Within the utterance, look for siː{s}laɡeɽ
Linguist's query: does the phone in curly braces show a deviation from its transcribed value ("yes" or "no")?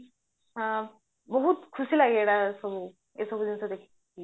yes